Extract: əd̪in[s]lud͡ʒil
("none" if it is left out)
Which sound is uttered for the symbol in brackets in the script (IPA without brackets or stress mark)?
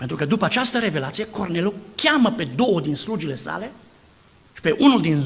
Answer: s